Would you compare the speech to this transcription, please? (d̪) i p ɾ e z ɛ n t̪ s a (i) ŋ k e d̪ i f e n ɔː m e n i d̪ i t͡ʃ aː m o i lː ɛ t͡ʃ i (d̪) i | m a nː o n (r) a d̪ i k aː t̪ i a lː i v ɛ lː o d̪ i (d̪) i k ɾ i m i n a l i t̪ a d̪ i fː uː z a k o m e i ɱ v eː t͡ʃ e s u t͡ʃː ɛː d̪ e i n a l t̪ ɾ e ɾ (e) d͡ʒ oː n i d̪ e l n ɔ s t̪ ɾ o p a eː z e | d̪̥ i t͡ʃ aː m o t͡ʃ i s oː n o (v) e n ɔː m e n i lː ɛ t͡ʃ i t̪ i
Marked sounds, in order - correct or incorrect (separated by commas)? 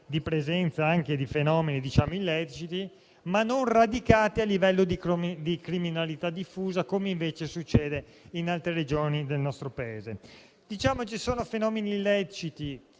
correct, incorrect, incorrect, correct, correct, correct, incorrect